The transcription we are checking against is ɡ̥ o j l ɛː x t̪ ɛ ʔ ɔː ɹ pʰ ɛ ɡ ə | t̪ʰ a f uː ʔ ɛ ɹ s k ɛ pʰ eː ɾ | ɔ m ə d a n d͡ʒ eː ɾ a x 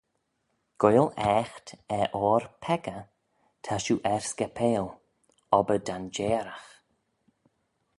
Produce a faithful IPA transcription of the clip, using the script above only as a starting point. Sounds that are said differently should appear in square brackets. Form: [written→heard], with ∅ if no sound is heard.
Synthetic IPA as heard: ɡ̥ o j l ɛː x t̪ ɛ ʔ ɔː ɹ pʰ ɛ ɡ ə | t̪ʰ a [f→ʃ] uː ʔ ɛ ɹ s k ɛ pʰ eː [ɾ→l] | ɔ [m→b] ə d a n d͡ʒ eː ɾ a x